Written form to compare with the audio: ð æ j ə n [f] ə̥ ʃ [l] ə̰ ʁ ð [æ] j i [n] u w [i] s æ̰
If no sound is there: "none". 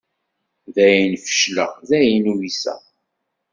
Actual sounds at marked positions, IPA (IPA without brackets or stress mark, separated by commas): f, l, æ, n, i